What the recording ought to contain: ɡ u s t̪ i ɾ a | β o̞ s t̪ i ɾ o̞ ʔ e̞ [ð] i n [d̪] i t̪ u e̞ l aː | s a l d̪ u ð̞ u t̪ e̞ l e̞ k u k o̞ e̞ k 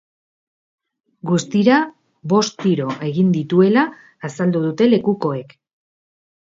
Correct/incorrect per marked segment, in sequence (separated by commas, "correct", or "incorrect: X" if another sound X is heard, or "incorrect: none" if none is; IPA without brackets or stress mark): incorrect: ɣ, correct